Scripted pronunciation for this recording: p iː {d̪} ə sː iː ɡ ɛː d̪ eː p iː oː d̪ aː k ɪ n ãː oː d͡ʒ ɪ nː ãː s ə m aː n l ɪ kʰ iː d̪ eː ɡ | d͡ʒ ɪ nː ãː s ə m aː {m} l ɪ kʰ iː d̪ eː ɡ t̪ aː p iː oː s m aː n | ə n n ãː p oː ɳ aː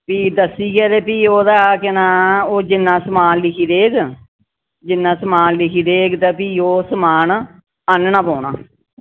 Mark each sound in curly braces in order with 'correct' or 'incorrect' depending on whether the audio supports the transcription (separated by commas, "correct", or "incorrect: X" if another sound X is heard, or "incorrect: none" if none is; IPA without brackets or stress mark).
correct, incorrect: n